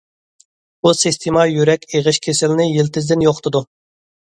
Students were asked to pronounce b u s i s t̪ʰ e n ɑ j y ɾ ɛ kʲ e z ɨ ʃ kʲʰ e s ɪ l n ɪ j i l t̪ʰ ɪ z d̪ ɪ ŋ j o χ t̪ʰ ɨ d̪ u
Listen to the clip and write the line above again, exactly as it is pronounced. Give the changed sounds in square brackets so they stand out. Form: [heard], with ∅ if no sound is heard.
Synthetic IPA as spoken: b u s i s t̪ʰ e [m] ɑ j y ɾ ɛ kʲ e [ʁ] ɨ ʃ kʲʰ e s ɪ l n ɪ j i l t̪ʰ ɪ z d̪ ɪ [n] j o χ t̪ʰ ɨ d̪ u